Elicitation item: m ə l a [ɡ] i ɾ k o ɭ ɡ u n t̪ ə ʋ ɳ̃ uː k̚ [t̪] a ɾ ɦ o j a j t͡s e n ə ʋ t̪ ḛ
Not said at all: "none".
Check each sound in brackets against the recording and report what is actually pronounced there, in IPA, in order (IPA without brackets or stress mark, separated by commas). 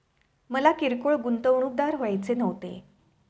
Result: k, d̪